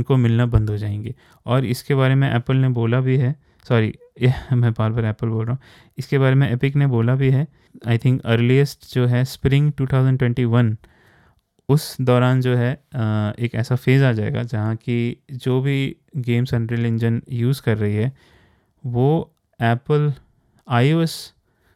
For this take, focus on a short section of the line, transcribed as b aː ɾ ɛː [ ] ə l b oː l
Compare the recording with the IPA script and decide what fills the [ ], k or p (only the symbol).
p